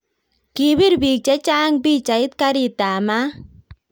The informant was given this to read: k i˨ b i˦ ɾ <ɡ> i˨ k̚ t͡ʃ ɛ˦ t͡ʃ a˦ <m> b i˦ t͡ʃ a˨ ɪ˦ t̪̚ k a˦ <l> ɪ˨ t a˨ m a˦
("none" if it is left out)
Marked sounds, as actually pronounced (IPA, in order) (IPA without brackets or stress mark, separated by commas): b, ŋ, ɾ